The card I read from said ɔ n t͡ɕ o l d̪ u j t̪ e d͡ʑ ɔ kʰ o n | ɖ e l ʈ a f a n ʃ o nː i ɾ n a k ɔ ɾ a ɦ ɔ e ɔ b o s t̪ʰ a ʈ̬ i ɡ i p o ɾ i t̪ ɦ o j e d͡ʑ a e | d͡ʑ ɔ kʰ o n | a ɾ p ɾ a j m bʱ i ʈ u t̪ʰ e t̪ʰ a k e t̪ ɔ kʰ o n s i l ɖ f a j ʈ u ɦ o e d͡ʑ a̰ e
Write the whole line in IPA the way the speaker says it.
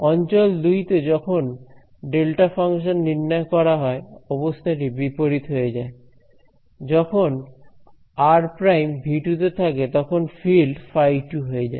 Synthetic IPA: ɔ n t͡ɕ o l d̪ u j t̪ e d͡ʑ ɔ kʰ o n | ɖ e l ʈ a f a ŋ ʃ o nː i ɾ n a k ɔ ɾ a ɦ ɔ e ɔ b o s t̪ʰ a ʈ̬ i b i p o ɾ i t̪ ɦ o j e d͡ʑ a e | d͡ʑ ɔ kʰ o n | a ɾ p ɾ a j m bʱ i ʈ u t̪ e t̪ʰ a k e t̪ ɔ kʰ o n f i l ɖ f a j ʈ u ɦ o e d͡ʑ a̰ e